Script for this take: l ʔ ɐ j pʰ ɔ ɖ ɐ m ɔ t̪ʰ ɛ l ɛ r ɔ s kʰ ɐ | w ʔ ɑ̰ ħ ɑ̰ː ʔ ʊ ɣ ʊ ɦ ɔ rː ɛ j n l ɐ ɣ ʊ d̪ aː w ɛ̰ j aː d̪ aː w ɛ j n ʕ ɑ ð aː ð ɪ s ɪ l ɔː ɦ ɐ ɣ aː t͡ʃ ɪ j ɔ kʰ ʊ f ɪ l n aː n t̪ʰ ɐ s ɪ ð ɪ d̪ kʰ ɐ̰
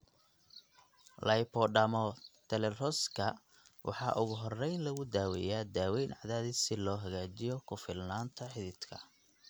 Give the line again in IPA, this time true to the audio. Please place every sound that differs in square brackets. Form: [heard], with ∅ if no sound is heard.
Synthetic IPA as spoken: l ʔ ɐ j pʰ ɔ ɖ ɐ m ɔ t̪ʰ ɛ l ɛ r ɔ s kʰ ɐ | w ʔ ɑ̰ ħ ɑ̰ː ʔ ʊ ɣ ʊ ɦ ɔ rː ɛ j n l ɐ ɣ ʊ d̪ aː w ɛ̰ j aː d̪ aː w ɛ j n ʕ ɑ ð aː ð ɪ s ɪ l ɔː ɦ ɐ ɣ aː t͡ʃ ɪ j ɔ kʰ ʊ f ɪ l n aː n t̪ʰ ɐ [ħ] ɪ ð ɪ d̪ kʰ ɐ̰